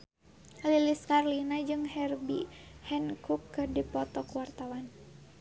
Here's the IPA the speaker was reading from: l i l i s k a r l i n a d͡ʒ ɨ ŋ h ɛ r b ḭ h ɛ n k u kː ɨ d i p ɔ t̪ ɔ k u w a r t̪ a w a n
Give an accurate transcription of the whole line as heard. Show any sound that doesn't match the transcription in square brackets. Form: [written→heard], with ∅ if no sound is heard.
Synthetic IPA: l i l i s k a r l i n a d͡ʒ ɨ ŋ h ɛ r b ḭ h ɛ n k u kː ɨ d i p ɔ t̪ ɔ k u w a r t̪ a w a n